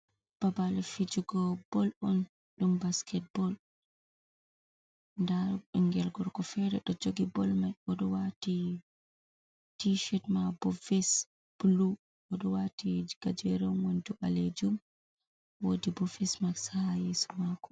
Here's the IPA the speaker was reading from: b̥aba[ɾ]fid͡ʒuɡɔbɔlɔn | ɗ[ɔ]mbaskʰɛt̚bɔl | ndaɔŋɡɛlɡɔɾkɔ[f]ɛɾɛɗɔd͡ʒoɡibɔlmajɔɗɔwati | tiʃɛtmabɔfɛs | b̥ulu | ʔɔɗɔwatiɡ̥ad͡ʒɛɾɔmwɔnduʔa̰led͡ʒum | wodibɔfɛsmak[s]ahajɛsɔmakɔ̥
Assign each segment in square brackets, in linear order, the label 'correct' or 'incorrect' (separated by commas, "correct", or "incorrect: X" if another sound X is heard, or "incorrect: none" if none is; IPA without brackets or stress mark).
incorrect: l, incorrect: u, correct, correct